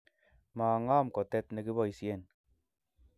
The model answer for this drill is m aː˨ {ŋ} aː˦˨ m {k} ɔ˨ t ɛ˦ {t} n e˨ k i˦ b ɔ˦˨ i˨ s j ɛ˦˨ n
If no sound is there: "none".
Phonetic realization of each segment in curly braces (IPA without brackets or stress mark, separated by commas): ŋ, k, t